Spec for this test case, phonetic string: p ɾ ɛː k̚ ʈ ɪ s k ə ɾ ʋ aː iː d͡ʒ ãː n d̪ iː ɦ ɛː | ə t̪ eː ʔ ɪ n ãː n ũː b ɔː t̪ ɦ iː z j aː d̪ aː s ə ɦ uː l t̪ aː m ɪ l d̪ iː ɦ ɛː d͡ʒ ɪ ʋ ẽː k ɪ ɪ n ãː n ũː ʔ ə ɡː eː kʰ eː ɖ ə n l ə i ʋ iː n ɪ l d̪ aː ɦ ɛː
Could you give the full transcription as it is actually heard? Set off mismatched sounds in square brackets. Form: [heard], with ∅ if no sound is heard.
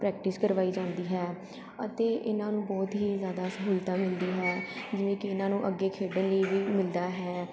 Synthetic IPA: p ɾ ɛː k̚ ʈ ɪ s k ə ɾ ʋ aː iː d͡ʒ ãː n d̪ iː ɦ ɛː | ə t̪ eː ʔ ɪ n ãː n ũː b ɔː t̪ ɦ iː z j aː d̪ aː s ə ɦ uː l t̪ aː m ɪ l d̪ iː ɦ ɛː d͡ʒ ɪ ʋ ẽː k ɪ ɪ n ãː n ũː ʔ ə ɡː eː kʰ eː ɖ ə n l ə i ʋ iː [m] ɪ l d̪ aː ɦ ɛː

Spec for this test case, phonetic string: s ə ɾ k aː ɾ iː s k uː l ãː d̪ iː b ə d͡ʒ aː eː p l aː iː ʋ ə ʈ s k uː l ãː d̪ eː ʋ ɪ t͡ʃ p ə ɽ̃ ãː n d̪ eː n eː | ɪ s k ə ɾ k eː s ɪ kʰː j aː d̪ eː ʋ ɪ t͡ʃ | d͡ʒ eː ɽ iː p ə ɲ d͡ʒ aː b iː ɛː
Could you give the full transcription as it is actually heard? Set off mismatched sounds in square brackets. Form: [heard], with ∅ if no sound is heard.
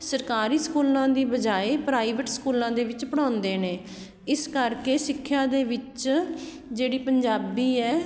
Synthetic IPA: s ə ɾ k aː ɾ iː s k uː l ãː d̪ iː b ə d͡ʒ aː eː p [ɾ] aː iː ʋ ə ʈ s k uː l ãː d̪ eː ʋ ɪ t͡ʃ p ə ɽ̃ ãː n d̪ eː n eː | ɪ s k ə ɾ k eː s ɪ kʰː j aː d̪ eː ʋ ɪ t͡ʃ | d͡ʒ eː ɽ iː p ə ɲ d͡ʒ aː b iː ɛː

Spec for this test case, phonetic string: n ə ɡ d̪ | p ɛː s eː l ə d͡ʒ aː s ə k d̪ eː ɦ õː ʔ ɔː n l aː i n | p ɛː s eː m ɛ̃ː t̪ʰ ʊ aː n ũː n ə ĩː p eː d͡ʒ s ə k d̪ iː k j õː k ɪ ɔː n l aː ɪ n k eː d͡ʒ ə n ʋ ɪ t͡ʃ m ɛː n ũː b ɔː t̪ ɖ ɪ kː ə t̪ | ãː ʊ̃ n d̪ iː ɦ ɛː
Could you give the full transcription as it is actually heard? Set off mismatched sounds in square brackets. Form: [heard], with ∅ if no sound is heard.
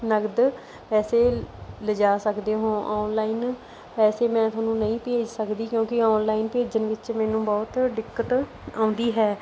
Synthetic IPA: n ə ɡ d̪ | p ɛː s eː l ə d͡ʒ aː s ə k d̪ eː ɦ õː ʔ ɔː n l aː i n | p ɛː s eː m ɛ̃ː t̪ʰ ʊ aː n ũː n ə ĩː p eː d͡ʒ s ə k d̪ iː k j õː k ɪ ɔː n l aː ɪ n [p] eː d͡ʒ ə n ʋ ɪ t͡ʃ m ɛː n ũː b ɔː t̪ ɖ ɪ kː ə t̪ | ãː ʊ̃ n d̪ iː ɦ ɛː

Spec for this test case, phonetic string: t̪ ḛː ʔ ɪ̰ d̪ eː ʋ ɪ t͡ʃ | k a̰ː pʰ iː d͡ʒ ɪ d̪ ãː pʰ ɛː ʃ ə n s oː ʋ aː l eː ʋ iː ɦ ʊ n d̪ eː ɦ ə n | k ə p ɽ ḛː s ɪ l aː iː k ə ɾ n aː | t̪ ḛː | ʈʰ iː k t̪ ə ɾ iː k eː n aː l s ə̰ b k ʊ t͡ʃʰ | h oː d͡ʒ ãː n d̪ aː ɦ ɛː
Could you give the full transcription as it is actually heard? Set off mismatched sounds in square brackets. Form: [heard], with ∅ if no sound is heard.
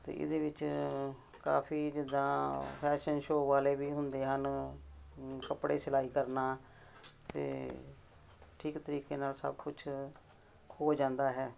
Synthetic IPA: t̪ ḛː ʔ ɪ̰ d̪ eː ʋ ɪ t͡ʃ | k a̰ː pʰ iː d͡ʒ ɪ d̪ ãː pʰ ɛː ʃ ə n [ʃ] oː ʋ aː l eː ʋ iː ɦ ʊ n d̪ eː ɦ ə n | k ə p ɽ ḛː s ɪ l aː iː k ə ɾ n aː | t̪ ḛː | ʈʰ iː k t̪ ə ɾ iː k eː n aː l s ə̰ b k ʊ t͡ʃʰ | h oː d͡ʒ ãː n d̪ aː ɦ ɛː

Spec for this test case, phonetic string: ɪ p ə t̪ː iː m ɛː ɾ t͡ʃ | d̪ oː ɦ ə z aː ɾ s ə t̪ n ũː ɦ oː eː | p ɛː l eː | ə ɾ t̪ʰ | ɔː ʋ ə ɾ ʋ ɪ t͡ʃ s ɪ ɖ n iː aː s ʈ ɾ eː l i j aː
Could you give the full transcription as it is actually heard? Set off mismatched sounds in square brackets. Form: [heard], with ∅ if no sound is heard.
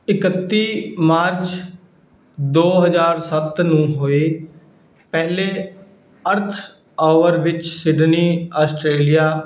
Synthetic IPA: ɪ [k] ə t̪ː iː m [aː] ɾ t͡ʃ | d̪ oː ɦ ə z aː ɾ s ə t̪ n ũː ɦ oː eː | p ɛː l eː | ə ɾ t̪ʰ | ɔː ʋ ə ɾ ʋ ɪ t͡ʃ s ɪ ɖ n iː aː s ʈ ɾ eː l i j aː

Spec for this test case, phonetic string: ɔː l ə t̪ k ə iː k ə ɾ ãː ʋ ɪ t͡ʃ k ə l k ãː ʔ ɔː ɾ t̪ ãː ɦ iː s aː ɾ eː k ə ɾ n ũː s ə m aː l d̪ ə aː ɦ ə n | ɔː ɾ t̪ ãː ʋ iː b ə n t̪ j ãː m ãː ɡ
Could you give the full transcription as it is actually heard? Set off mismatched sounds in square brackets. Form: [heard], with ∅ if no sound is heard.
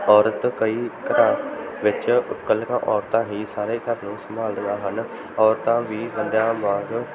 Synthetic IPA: ɔː [ɾ] ə t̪ k ə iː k ə ɾ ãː ʋ ɪ t͡ʃ k ə l k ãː ʔ ɔː ɾ t̪ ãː ɦ iː s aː ɾ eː k ə ɾ n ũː s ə m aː l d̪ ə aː ɦ ə n | ɔː ɾ t̪ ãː ʋ iː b ə n [d̪] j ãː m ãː ɡ

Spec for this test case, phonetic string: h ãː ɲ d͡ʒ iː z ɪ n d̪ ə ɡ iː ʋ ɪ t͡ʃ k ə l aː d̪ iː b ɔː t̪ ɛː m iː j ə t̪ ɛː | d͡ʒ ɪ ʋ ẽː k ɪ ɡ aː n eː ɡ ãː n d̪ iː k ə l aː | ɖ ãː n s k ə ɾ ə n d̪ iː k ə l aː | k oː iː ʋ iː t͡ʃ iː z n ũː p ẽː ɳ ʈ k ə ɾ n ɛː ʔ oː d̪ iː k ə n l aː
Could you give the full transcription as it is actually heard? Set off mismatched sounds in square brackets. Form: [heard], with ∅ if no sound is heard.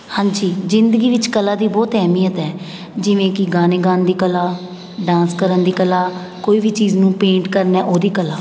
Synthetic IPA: h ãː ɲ d͡ʒ iː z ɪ n d̪ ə ɡ iː ʋ ɪ t͡ʃ k ə l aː d̪ iː b ɔː t̪ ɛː m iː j ə t̪ ɛː | d͡ʒ ɪ ʋ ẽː k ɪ ɡ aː n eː ɡ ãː n d̪ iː k ə l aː | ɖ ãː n s k ə ɾ ə n d̪ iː k ə l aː | k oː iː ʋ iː t͡ʃ iː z n ũː p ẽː ɳ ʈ k ə ɾ n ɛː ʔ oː d̪ iː k ə [∅] l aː

